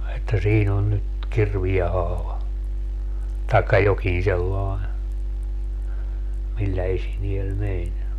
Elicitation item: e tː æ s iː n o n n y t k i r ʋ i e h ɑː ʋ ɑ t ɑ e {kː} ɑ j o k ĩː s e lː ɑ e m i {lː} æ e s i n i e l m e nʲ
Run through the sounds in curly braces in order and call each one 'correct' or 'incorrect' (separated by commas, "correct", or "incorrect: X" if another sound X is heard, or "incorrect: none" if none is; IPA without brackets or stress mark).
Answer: correct, correct